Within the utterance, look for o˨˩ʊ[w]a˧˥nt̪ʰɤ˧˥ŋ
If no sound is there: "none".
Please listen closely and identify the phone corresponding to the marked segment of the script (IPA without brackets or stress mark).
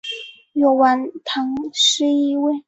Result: w